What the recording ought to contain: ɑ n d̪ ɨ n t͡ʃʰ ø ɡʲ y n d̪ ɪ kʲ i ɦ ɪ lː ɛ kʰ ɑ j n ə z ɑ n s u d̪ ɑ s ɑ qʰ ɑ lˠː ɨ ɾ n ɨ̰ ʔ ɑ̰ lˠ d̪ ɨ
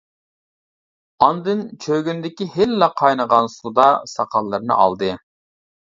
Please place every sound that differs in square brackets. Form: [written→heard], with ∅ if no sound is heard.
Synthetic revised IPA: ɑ n d̪ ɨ n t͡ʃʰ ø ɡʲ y n d̪ ɪ kʲ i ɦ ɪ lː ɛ [kʰ→qʰ] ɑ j n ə [z→ʁ] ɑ n s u d̪ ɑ s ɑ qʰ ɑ lˠː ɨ ɾ n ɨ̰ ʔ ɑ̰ lˠ d̪ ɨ